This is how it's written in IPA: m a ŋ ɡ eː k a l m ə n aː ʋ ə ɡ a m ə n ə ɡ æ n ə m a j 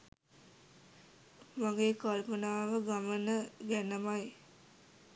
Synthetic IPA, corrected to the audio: m a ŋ ɡ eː k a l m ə n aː ʋ ə ɡ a m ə n ə ɡ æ n ə m a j